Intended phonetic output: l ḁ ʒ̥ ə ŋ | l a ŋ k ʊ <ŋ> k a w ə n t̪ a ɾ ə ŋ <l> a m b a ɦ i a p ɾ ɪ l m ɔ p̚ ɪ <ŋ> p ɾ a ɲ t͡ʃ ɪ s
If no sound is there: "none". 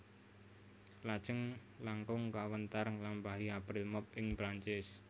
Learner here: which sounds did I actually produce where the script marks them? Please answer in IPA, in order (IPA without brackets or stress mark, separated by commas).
ŋ, l, ŋ